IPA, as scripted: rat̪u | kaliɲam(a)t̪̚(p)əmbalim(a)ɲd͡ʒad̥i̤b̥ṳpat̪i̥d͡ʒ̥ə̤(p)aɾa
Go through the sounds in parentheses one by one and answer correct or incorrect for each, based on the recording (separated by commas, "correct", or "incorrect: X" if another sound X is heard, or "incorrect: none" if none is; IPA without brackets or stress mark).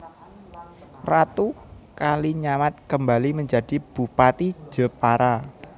correct, incorrect: k, incorrect: ə, correct